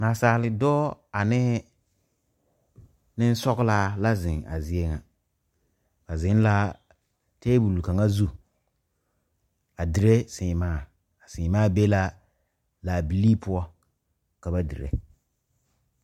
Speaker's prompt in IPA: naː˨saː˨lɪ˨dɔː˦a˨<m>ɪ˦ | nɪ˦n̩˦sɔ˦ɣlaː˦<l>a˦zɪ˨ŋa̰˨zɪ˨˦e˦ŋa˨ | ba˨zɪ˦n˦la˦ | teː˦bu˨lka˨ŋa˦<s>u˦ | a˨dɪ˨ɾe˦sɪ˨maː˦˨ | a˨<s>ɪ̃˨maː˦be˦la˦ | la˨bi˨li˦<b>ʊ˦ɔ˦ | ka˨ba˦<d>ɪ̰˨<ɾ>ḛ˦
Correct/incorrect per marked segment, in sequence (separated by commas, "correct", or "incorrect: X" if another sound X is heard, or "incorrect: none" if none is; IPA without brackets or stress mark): incorrect: n, correct, incorrect: z, correct, incorrect: p, correct, correct